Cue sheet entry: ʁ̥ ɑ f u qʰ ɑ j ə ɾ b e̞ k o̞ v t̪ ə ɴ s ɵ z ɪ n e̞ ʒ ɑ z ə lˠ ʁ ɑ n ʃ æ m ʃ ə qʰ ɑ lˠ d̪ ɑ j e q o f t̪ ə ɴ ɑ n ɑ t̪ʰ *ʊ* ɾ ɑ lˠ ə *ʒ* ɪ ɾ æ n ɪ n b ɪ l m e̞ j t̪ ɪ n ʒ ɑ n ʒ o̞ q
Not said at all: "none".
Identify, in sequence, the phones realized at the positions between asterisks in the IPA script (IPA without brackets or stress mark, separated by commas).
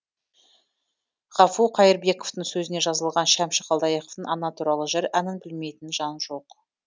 u, ʒ